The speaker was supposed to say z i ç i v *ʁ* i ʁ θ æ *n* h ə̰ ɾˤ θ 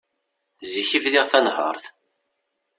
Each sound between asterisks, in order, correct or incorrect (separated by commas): incorrect, correct